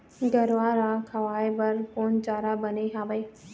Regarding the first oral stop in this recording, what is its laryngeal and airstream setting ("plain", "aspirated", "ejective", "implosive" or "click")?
plain